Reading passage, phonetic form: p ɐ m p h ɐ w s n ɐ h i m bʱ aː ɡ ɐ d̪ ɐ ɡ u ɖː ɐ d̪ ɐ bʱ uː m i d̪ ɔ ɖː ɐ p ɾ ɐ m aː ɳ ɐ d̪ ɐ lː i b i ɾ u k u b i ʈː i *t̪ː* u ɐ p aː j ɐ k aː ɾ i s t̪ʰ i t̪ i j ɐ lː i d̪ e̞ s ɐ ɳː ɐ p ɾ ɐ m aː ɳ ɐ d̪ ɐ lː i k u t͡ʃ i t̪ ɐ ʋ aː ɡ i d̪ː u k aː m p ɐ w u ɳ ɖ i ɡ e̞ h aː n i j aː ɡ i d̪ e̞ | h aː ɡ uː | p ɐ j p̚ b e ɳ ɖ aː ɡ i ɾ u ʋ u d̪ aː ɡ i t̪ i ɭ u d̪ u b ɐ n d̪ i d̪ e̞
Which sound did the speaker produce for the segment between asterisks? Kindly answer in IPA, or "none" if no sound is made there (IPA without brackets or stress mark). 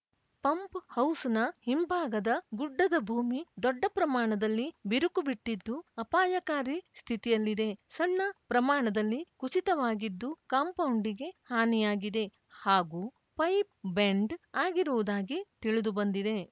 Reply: d̪ː